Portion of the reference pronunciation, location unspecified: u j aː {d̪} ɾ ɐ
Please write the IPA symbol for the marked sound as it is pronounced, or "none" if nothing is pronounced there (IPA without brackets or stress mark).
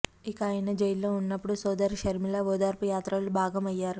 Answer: t̪